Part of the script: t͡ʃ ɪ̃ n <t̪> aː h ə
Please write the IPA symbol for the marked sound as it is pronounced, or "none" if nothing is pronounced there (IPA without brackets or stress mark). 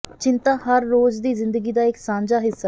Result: t̪